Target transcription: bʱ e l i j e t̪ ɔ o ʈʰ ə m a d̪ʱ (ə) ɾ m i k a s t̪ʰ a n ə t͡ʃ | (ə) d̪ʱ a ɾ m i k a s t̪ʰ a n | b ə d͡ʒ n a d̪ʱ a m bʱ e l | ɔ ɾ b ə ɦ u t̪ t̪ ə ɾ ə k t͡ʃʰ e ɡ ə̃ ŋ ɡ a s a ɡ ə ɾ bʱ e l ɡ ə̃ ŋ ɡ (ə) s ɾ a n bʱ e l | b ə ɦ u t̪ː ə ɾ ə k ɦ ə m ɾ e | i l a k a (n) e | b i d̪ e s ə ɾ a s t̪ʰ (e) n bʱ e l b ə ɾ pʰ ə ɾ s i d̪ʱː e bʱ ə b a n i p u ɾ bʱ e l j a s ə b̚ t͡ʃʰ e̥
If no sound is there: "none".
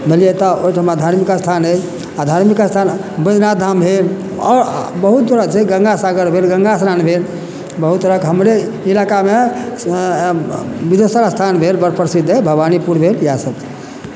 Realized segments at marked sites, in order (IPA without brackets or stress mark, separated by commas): a, a, a, m, a